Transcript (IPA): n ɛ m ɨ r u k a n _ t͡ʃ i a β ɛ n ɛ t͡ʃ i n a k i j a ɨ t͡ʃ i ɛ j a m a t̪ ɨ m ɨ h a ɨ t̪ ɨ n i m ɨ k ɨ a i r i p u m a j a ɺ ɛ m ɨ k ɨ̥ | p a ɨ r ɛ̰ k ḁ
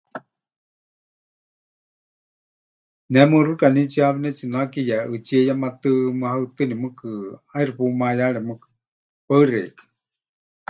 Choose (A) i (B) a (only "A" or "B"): A